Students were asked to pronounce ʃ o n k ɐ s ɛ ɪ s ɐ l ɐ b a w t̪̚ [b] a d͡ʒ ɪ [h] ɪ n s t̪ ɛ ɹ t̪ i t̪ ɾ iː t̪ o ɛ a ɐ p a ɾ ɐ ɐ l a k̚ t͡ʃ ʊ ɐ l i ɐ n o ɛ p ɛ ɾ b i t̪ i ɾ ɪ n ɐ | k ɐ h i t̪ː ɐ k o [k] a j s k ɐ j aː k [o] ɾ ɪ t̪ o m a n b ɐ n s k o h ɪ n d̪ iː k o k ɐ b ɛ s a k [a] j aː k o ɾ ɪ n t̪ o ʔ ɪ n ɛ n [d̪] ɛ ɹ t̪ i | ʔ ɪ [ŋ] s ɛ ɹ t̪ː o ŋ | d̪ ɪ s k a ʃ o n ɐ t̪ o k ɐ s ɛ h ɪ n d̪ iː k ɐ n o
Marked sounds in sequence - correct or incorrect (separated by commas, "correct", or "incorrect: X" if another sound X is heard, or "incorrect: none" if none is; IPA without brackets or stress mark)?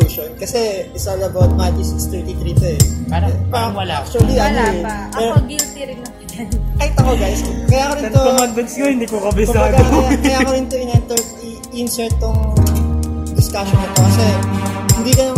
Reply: incorrect: m, incorrect: s, incorrect: ɡ, correct, incorrect: ɐ, incorrect: t̪, incorrect: n